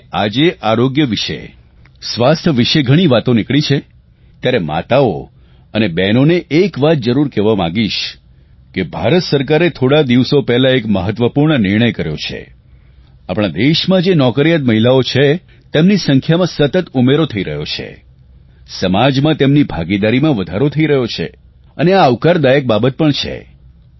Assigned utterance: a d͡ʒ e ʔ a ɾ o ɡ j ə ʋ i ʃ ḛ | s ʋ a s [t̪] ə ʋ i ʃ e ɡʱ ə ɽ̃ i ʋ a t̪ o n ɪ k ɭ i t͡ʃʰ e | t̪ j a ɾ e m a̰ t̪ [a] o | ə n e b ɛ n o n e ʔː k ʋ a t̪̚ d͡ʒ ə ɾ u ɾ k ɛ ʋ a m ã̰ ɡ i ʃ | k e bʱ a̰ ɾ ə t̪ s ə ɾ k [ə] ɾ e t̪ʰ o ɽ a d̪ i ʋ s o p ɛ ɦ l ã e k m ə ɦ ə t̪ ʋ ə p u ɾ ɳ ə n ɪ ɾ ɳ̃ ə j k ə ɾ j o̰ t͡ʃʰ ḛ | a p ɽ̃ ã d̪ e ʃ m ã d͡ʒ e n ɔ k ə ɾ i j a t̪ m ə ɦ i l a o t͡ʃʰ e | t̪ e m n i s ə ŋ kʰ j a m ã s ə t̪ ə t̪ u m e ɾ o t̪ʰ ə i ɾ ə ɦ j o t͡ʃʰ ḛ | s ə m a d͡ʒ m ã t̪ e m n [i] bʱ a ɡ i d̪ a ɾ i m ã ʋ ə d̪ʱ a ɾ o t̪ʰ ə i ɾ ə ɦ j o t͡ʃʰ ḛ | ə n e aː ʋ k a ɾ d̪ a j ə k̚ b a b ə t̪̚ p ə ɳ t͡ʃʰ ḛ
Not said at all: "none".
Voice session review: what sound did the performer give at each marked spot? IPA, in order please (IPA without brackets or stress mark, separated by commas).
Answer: t̪ʰ, a, a, i